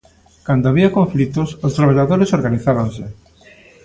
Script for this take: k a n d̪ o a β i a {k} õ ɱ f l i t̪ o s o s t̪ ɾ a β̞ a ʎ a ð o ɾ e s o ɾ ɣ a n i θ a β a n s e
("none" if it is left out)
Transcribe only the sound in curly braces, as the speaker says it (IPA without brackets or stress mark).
k